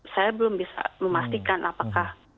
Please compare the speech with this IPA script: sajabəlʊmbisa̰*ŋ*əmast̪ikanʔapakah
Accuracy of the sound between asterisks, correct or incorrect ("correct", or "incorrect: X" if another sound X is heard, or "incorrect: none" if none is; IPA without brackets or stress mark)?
incorrect: m